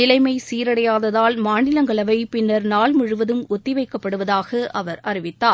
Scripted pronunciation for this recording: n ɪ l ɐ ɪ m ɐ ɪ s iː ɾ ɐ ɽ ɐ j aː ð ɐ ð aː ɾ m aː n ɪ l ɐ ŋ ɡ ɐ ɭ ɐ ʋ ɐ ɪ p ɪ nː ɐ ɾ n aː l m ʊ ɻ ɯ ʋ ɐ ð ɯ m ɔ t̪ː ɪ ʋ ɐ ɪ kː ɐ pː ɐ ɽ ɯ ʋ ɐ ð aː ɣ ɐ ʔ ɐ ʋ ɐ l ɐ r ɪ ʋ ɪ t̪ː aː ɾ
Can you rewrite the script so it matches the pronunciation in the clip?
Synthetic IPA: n ɪ l ɐ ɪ m ɐ ɪ s iː ɾ ɐ ɽ ɐ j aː ð ɐ ð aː l m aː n ɪ l ɐ ŋ ɡ ɐ ɭ ɐ ʋ ɐ ɪ p ɪ nː ɐ ɾ n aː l m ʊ ɻ ɯ ʋ ɐ ð ɯ m ɔ t̪ː ɪ ʋ ɐ ɪ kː ɐ pː ɐ ɽ ɯ ʋ ɐ ð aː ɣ ɐ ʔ ɐ ʋ ɐ ɾ ɐ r ɪ ʋ ɪ t̪ː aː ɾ